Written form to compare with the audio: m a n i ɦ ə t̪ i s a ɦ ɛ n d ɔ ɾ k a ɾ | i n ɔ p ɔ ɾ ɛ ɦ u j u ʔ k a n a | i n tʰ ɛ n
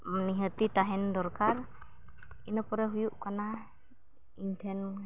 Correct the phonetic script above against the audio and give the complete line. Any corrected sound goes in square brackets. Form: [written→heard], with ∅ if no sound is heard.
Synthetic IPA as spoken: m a n i ɦ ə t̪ i [s→t] a ɦ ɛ n d ɔ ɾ k a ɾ | i n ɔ p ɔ ɾ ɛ ɦ u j u ʔ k a n a | i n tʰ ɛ n